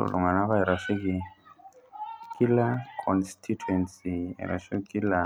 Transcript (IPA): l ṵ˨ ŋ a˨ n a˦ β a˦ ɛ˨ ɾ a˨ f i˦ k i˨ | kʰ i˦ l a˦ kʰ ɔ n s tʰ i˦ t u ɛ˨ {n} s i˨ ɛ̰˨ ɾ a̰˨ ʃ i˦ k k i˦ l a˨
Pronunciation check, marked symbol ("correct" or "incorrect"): correct